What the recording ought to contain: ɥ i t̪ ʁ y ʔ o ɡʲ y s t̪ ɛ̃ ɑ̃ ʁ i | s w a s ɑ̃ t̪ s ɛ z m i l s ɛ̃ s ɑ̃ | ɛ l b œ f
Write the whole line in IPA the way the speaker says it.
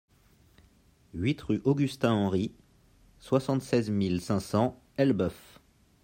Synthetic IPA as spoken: ɥ i t̪ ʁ y ʔ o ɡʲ y s t̪ ɛ̃ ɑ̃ ʁ i | s w a s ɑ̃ t̪ s ɛ z m i l s ɛ̃ s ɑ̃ | ɛ l b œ f